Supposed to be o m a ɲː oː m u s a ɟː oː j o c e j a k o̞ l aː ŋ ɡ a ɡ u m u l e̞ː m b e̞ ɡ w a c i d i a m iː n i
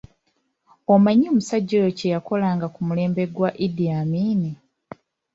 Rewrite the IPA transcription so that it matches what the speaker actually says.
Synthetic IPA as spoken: o m a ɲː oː m u s a ɟː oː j o c e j a k o̞ l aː ŋ ɡ a k u m u l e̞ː m b e̞ ɡ w a ʔ i d i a m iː n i